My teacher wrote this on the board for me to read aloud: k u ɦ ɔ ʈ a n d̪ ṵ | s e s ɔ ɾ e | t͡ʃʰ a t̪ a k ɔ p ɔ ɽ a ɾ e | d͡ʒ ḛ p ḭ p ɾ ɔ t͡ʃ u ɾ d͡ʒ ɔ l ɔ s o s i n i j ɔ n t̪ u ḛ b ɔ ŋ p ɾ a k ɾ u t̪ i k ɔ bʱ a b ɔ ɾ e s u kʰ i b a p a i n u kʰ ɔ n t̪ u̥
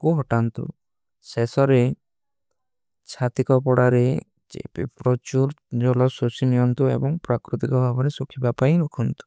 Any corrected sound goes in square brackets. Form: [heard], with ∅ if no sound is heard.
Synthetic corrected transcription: k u ɦ ɔ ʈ a n [t̪] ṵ | s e s ɔ ɾ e | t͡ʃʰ a t̪ [i] k ɔ p ɔ ɽ a ɾ e | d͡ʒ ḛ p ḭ p ɾ ɔ t͡ʃ u ɾ d͡ʒ ɔ l ɔ s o s i n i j ɔ n t̪ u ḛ b ɔ ŋ p ɾ a k ɾ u t̪ i k ɔ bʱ a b ɔ ɾ e s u kʰ i b a p a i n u kʰ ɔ n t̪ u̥

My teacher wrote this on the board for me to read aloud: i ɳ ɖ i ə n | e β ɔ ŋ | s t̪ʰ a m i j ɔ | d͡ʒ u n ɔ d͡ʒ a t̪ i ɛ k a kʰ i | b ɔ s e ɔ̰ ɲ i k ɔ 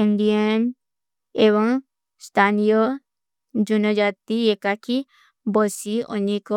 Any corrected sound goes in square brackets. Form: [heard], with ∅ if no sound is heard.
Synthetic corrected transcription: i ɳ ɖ i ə n | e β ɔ ŋ | s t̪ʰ a [n] i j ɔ | d͡ʒ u n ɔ d͡ʒ a t̪ i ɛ k a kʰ i | b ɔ s [i] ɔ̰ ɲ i k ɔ

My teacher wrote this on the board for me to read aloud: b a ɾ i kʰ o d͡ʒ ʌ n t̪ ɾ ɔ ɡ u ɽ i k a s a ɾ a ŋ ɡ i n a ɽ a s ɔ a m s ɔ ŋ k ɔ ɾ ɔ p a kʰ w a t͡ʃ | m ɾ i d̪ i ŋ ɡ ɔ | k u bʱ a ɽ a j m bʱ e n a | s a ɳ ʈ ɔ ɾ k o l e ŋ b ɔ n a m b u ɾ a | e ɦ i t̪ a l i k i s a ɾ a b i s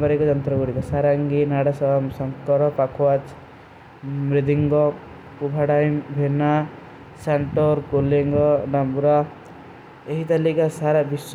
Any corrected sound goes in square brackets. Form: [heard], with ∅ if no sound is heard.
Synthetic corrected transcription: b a ɾ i [k] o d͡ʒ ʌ n t̪ ɾ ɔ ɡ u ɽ i k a s a ɾ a ŋ ɡ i n a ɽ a s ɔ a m s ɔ ŋ k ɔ ɾ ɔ p a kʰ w a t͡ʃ | m ɾ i d̪ i ŋ ɡ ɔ | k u bʱ a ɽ a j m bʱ e n a | s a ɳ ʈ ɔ ɾ k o l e ŋ [ɡ] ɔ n a m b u ɾ a | e ɦ i t̪ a l i k [a] s a ɾ a b i s

